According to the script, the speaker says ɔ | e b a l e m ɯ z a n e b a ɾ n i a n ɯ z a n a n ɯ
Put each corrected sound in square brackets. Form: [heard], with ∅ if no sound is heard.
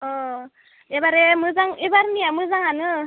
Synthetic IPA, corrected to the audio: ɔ | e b a [ɾ] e m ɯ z a [ŋ] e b a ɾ n i a [m] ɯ z a [ŋ] a n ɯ